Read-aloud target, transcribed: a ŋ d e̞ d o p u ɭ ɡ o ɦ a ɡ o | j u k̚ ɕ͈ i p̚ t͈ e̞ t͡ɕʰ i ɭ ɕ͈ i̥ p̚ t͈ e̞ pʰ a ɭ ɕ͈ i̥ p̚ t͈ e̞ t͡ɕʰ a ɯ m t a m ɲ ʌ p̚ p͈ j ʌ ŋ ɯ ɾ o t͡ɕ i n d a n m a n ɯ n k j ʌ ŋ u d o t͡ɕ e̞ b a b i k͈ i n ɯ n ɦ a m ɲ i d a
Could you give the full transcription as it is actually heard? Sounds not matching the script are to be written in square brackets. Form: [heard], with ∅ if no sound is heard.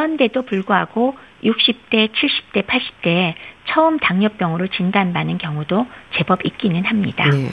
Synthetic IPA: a [n] d e̞ d o p u ɭ ɡ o ɦ a ɡ o | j u k̚ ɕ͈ i p̚ t͈ e̞ t͡ɕʰ i ɭ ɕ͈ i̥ p̚ t͈ e̞ pʰ a ɭ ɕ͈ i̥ p̚ t͈ e̞ t͡ɕʰ [ʌ] ɯ m t a [ŋ] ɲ ʌ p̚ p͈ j ʌ ŋ ɯ ɾ o t͡ɕ i n d a n [b] a n ɯ n k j ʌ ŋ u d o t͡ɕ e̞ b [ʌ] b i k͈ i n ɯ n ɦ a m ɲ i d a